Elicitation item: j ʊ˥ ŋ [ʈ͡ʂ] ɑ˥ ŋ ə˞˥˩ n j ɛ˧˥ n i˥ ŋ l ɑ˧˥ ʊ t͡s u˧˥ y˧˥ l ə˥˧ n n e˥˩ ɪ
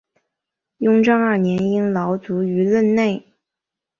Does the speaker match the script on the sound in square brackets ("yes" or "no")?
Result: yes